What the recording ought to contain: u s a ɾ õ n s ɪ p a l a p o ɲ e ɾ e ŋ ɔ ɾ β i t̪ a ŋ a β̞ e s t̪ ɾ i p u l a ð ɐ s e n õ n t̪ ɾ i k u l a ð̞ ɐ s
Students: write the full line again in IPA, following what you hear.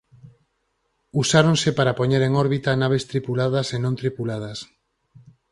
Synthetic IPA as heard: u s a ɾ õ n s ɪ p a ɾ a p o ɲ e ɾ e ŋ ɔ ɾ β i t̪ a n a β̞ e s t̪ ɾ i p u l a ð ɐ s e n õ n t̪ ɾ i p u l a ð̞ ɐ s